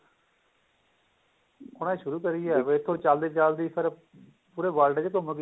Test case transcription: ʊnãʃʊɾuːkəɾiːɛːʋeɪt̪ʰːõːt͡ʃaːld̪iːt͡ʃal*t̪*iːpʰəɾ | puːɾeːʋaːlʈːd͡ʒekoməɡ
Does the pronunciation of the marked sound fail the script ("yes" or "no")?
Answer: yes